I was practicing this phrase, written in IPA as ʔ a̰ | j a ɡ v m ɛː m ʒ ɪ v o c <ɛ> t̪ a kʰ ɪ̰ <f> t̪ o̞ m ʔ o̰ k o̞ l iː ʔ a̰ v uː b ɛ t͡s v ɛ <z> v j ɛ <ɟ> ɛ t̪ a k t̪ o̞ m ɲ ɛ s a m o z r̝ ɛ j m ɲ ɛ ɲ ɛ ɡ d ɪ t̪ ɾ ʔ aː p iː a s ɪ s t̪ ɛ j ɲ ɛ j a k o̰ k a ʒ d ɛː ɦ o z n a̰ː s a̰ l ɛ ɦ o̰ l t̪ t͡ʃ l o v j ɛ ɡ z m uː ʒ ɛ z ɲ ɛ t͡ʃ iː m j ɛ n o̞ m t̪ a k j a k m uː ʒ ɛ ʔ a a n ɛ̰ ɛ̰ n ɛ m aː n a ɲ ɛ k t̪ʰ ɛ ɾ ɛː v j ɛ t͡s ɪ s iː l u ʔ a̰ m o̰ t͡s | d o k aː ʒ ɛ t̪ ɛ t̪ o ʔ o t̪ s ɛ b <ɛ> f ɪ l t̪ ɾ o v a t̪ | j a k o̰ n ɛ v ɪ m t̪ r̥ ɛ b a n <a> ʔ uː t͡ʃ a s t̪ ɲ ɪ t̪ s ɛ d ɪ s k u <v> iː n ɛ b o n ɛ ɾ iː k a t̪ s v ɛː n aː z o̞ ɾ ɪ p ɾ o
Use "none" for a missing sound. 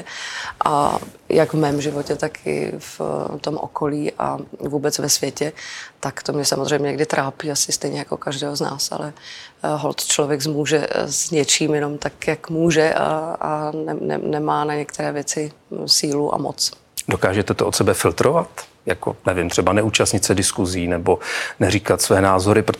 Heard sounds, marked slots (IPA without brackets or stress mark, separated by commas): ɛ, f, s, c, ɛ, ɛ, z